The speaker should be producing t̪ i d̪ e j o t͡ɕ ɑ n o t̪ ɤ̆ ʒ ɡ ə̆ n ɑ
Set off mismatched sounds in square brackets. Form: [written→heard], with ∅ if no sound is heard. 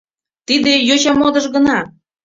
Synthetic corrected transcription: t̪ i d̪ e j o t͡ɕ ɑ [n→m] o [t̪→d̪] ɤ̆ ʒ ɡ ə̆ n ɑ